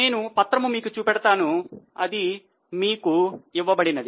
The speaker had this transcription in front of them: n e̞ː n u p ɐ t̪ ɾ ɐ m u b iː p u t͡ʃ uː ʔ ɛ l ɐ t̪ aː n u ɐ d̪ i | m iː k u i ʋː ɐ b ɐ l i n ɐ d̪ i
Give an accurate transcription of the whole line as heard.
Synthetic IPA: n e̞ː n u p ɐ t̪ ɾ ɐ m u m iː k u t͡ʃ uː p ɛ ɽ ɐ t̪ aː n u ɐ d̪ i | m iː k u i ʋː ɐ b ɐ ɽ i n ɐ d̪ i